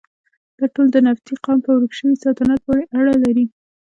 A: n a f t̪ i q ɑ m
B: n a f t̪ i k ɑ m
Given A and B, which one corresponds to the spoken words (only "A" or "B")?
A